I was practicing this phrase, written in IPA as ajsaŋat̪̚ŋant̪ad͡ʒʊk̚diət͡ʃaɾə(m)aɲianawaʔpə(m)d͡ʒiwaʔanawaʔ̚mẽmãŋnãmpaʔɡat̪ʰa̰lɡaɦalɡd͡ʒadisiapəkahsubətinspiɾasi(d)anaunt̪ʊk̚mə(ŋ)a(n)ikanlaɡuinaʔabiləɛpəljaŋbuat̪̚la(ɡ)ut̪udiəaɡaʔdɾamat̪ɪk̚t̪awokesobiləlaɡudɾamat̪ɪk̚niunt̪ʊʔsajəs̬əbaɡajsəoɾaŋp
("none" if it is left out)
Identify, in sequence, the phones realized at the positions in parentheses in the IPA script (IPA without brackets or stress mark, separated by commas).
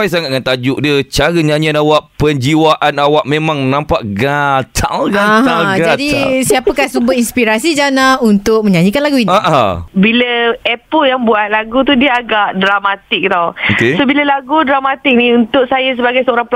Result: ɲ, ɲ, d͡ʒ, ɲ, ɲ, ɡ